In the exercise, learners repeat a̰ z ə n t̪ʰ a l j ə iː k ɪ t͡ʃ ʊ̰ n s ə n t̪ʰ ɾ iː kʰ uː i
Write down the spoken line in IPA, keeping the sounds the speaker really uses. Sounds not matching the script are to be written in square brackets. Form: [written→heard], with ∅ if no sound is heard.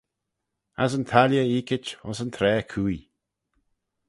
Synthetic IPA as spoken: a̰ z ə n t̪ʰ a l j ə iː k ɪ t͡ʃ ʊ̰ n s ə n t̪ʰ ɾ [iː→ɛː] kʰ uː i